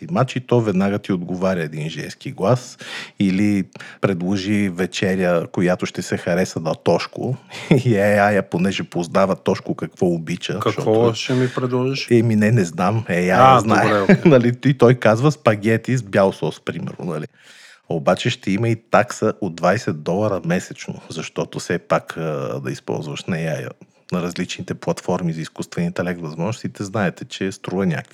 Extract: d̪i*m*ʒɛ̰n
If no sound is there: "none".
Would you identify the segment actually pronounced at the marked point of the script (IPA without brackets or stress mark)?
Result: n